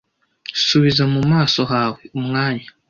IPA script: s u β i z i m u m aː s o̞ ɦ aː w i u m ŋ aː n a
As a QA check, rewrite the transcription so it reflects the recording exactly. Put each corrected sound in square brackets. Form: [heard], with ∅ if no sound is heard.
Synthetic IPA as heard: s u β i z [a] m u m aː s o̞ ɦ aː w [e] u m ŋ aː [ɲ] a